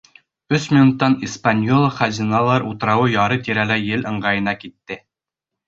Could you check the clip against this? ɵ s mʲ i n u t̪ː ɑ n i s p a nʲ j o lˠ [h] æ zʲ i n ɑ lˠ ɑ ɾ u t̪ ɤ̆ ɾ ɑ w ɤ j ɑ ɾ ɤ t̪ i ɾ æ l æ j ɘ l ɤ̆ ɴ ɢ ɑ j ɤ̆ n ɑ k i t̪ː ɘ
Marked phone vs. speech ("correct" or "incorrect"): incorrect